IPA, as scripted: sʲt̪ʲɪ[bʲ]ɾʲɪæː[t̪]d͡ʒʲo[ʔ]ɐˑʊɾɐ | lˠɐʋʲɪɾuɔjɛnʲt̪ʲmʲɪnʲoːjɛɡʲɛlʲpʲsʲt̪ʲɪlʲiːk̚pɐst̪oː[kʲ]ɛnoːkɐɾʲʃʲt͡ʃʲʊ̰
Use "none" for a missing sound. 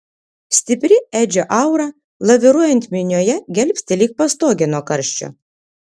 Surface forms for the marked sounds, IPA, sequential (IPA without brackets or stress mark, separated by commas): pʲ, none, ʔ, ɡʲ